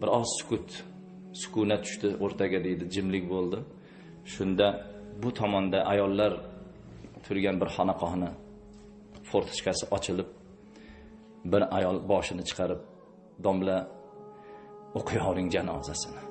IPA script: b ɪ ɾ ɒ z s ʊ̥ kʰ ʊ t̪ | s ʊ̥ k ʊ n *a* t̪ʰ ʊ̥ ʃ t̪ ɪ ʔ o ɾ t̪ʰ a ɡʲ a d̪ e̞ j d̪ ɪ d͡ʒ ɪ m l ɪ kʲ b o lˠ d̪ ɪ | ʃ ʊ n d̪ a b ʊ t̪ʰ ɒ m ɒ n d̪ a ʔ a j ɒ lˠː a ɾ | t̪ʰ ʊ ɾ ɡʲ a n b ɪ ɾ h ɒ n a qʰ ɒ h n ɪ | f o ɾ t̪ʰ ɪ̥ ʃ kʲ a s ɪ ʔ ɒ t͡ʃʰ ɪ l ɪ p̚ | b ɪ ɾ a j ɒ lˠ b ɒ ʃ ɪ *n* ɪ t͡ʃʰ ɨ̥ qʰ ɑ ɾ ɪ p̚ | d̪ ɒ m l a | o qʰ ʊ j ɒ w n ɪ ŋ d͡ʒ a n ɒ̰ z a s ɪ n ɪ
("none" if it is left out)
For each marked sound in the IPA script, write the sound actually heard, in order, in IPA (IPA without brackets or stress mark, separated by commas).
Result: a, n